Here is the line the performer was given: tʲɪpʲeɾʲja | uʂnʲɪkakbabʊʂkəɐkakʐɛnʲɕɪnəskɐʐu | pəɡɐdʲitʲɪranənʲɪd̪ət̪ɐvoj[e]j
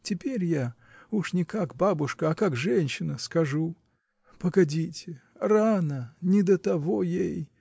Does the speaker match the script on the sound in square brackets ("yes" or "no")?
yes